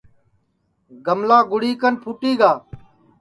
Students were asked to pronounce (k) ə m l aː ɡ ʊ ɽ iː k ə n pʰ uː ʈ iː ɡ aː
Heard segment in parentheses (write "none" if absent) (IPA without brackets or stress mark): ɡ